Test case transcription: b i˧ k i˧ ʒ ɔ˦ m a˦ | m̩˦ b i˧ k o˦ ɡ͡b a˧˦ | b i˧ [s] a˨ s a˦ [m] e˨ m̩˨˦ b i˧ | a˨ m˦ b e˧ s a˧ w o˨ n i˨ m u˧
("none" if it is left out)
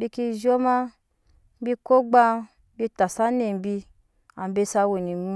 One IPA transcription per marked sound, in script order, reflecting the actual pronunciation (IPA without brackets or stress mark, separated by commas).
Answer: t, n